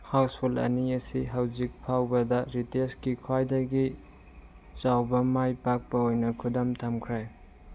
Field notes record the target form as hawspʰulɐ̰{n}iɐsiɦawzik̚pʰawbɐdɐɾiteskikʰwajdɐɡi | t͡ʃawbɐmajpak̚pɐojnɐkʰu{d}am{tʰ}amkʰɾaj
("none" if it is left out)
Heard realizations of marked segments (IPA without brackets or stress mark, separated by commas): n, d, tʰ